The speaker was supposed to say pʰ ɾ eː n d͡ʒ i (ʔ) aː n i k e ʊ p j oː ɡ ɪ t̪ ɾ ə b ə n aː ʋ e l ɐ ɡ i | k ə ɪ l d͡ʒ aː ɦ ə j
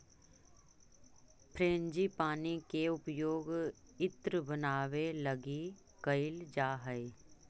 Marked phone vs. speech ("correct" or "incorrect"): incorrect